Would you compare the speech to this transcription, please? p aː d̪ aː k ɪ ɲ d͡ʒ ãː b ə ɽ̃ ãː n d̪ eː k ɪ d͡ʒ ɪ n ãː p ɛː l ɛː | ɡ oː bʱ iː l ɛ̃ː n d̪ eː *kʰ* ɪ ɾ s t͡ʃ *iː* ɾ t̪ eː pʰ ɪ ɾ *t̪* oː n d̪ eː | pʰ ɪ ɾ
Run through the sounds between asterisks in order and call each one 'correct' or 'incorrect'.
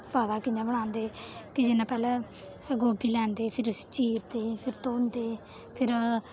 incorrect: pʰ, correct, correct

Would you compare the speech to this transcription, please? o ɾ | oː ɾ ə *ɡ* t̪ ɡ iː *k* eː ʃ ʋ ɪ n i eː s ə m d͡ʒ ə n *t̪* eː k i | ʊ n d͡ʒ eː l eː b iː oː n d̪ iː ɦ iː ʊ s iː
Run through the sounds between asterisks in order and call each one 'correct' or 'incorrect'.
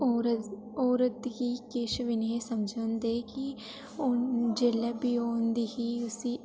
incorrect: none, correct, incorrect: d̪

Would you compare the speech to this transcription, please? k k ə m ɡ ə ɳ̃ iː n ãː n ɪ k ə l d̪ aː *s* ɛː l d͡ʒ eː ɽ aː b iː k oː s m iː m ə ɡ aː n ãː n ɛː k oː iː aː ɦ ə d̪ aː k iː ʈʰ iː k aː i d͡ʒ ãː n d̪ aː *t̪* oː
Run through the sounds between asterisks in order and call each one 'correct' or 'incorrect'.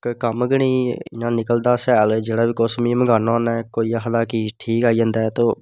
correct, correct

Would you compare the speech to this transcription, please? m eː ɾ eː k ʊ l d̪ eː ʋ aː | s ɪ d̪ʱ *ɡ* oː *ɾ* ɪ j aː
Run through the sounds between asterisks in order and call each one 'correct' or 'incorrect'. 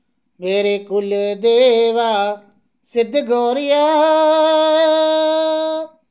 correct, correct

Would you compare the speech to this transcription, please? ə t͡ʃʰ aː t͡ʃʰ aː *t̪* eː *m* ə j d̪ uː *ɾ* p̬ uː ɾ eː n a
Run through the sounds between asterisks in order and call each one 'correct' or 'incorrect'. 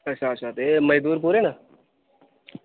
correct, correct, correct

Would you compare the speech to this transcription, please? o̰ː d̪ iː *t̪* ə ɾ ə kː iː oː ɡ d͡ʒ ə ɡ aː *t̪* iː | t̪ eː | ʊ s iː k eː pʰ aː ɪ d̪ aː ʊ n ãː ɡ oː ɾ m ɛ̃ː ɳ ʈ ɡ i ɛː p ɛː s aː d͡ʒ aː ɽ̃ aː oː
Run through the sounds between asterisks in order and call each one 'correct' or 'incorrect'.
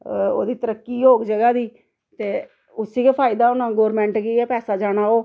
correct, incorrect: d̪

